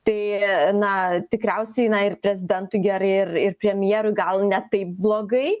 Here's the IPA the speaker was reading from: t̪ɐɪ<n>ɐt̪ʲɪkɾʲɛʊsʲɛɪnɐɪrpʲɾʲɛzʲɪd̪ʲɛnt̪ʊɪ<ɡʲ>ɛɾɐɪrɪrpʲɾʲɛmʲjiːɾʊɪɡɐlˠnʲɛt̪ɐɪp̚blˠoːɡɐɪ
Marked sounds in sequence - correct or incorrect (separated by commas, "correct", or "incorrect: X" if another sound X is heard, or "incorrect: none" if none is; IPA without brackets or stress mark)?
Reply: correct, correct